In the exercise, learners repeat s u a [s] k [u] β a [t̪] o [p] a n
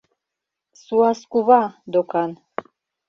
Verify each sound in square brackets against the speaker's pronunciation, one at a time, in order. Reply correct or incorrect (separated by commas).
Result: correct, correct, incorrect, incorrect